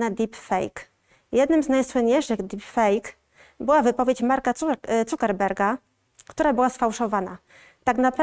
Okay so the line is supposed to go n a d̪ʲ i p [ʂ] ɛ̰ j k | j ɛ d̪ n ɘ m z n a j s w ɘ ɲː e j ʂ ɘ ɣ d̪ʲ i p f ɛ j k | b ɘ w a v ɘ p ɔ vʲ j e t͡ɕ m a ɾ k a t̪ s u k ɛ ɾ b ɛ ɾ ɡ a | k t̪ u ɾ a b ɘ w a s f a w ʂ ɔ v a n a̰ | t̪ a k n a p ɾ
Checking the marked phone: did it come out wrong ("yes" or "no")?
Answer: yes